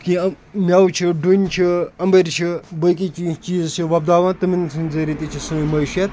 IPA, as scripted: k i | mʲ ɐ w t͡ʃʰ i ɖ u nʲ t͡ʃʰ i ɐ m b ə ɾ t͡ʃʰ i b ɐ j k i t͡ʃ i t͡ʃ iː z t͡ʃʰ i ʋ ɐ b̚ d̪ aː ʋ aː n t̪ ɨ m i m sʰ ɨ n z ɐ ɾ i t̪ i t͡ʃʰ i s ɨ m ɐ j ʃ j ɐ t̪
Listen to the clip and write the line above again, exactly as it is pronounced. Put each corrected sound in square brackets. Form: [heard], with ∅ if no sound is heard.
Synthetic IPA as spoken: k i | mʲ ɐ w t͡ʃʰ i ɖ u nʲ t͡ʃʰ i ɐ m b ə ɾ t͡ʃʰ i b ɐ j k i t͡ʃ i t͡ʃ iː z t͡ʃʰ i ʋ ɐ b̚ d̪ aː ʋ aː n t̪ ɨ m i [n] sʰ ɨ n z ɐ ɾ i t̪ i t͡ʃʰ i s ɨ m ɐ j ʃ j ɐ t̪